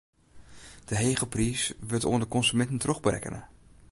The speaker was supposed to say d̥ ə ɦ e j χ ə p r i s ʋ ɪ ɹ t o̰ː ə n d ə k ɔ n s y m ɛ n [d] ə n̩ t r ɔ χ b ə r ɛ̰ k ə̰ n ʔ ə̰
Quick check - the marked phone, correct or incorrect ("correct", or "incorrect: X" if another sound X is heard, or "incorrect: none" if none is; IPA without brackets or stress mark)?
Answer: incorrect: t